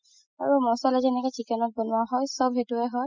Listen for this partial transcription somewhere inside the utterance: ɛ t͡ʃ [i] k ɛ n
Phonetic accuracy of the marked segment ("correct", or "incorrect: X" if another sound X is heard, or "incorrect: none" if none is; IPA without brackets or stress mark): correct